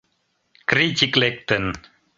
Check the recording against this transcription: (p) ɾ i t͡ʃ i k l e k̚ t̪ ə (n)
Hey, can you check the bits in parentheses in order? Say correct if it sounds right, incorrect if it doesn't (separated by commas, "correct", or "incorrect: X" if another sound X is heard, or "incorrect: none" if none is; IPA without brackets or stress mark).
incorrect: k, correct